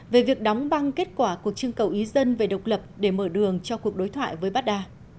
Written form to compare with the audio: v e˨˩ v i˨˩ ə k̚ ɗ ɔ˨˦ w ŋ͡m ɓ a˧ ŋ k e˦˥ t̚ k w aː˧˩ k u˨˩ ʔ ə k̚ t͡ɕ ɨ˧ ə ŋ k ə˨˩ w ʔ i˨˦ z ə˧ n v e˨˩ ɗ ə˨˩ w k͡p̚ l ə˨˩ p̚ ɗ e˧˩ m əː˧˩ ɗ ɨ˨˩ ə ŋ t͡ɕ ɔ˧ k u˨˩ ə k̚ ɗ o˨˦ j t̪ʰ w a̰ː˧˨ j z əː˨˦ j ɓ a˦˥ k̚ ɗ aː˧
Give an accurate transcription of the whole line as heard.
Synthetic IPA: v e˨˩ v i˨˩ ə k̚ ɗ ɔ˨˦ w ŋ͡m ɓ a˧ ŋ k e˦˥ t̚ k w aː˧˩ k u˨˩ ə k̚ t͡ɕ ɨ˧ ə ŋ k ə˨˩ w ʔ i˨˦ z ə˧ n v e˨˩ ɗ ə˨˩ w k͡p̚ l ə˨˩ p̚ ɗ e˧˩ m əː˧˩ ɗ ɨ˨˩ ə ŋ t͡ɕ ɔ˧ k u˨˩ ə k̚ ɗ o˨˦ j t̪ʰ w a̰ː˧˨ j v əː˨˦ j ɓ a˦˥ t̚ ɗ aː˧